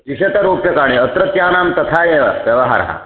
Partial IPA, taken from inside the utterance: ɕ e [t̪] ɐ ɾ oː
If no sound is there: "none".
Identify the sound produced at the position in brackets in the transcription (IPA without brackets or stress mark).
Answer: t̪